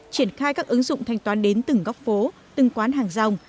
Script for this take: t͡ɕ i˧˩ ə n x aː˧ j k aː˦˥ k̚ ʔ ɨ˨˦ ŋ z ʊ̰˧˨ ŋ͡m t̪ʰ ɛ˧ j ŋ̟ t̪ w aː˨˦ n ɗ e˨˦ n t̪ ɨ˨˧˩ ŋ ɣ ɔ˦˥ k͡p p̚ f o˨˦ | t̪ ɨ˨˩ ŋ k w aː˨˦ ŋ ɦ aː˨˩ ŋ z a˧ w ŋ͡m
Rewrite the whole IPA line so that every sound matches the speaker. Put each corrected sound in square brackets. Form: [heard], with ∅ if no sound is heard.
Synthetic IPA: t͡ɕ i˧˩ ə n x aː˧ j k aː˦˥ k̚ ʔ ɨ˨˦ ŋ z ʊ̰˧˨ ŋ͡m t̪ʰ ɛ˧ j ŋ̟ t̪ w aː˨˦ n ɗ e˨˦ n t̪ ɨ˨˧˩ ŋ ɣ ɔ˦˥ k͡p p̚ f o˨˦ | t̪ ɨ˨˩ ŋ k w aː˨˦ [n] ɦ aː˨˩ ŋ z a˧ w ŋ͡m